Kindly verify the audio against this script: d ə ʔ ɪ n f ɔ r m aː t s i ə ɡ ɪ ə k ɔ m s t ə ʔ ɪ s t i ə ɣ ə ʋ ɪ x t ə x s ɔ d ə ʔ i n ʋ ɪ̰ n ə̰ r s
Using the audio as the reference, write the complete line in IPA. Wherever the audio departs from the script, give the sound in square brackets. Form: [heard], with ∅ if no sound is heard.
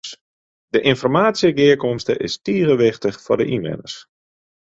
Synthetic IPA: d ə ʔ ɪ n f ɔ r m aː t s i ə ɡ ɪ ə k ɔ m s t ə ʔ ɪ s t i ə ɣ ə ʋ ɪ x t ə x [f] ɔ d ə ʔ i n ʋ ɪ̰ n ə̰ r s